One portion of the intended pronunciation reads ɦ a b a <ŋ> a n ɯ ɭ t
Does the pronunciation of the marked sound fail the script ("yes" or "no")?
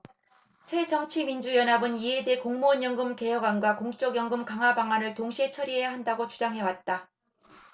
no